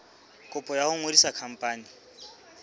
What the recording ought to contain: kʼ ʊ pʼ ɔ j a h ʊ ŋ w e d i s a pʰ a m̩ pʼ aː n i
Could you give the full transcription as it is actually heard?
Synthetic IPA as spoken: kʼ ʊ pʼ ɔ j a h ʊ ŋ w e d i s a kʰ a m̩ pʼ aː n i